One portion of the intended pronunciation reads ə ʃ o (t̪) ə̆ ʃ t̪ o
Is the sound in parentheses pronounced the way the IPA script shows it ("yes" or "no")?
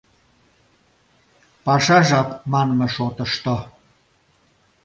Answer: yes